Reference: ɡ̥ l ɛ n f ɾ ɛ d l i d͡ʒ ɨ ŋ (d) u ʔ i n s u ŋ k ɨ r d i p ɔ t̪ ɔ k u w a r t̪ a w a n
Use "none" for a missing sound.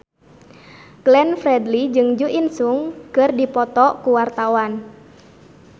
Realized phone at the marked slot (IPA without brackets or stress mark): d͡ʒ